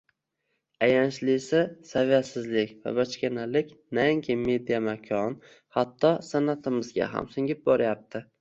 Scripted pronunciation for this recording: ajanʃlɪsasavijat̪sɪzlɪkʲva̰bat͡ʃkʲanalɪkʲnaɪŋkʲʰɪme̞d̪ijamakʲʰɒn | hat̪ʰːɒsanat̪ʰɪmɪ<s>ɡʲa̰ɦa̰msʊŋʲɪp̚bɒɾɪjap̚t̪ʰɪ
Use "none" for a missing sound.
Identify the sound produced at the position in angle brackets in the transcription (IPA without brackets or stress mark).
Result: z